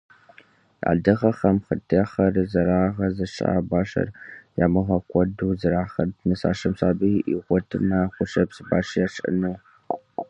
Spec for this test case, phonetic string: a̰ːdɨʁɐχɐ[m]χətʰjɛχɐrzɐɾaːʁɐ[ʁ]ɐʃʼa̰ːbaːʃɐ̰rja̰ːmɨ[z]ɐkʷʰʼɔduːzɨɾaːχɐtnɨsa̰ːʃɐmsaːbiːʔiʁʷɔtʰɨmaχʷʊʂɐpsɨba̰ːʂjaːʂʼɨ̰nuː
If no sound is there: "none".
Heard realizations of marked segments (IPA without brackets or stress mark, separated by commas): m, z, ʁ